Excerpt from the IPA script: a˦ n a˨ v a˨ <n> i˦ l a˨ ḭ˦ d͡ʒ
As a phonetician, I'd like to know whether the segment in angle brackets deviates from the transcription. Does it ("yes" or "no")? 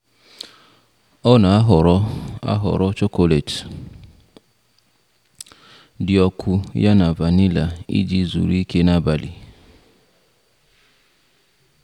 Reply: no